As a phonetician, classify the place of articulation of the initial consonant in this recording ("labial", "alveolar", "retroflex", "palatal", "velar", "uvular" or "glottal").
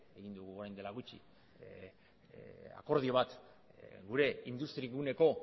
velar